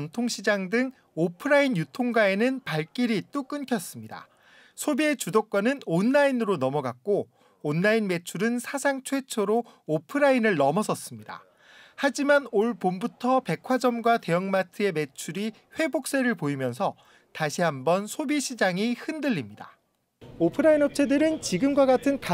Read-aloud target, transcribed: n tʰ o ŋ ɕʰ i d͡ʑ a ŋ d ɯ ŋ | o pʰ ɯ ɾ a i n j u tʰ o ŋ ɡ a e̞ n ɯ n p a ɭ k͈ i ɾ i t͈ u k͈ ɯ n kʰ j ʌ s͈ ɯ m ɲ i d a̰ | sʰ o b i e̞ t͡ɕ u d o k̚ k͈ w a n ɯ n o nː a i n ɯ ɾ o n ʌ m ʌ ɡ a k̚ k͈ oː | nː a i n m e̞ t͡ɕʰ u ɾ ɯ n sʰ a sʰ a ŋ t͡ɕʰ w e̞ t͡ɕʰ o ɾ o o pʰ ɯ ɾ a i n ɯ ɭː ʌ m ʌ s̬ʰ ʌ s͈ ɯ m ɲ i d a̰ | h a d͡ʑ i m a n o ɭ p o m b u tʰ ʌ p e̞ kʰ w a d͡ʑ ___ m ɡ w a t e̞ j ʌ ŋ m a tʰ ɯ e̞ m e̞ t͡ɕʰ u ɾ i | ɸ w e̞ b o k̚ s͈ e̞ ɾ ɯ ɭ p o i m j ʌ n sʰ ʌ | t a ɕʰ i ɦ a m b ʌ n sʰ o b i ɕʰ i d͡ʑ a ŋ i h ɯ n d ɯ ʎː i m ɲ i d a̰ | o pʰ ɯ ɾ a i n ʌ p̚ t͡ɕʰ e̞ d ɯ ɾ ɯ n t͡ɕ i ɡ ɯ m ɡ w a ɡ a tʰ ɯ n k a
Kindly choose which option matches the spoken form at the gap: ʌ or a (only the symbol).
ʌ